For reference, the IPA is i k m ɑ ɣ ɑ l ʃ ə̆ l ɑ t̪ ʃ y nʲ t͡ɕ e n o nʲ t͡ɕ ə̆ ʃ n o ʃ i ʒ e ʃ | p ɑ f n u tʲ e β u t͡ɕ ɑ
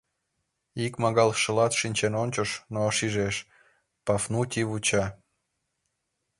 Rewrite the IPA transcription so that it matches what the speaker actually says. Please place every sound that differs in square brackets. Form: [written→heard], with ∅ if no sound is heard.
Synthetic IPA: i k m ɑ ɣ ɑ l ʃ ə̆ l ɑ t̪ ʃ [y→i] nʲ t͡ɕ e n o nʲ t͡ɕ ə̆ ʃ n o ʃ i ʒ e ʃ | p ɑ f n u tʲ [e→i] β u t͡ɕ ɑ

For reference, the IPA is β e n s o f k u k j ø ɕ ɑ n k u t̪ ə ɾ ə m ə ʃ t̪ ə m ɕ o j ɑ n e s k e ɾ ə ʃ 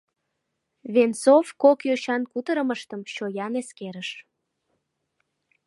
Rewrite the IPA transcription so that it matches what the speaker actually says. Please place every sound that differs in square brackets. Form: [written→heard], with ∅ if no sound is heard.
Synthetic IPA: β e n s o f k [u→o] k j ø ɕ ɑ n k u t̪ ə ɾ ə m ə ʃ t̪ ə m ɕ o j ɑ n e s k e ɾ ə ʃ

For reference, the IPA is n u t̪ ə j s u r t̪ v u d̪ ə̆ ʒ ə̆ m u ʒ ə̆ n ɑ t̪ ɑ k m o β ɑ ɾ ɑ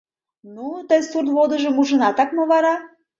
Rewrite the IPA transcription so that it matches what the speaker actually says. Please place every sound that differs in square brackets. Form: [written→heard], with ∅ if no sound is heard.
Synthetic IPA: n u t̪ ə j s u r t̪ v [u→o] d̪ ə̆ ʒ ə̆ m u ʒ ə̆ n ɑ t̪ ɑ k m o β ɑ ɾ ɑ

